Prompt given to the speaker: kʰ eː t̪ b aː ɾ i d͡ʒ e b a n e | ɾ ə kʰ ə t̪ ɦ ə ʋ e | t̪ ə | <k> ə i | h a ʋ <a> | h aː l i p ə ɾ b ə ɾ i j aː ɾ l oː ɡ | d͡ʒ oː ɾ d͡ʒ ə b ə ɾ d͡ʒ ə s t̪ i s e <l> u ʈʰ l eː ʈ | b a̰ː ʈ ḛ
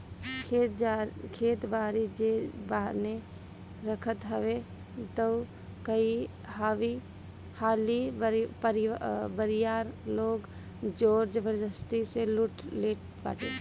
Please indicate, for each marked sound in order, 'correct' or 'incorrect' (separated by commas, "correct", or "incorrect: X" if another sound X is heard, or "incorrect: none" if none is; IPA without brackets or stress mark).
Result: correct, incorrect: i, correct